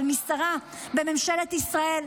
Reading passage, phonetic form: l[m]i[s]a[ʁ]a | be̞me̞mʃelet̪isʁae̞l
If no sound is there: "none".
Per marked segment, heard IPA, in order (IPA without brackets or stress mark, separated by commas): m, s, ʁ